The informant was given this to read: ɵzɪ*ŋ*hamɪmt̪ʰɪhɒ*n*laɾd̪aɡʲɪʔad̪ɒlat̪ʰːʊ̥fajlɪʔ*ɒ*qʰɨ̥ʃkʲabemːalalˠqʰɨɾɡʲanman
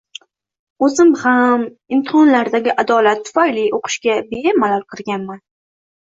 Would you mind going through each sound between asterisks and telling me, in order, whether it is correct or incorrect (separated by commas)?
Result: incorrect, correct, incorrect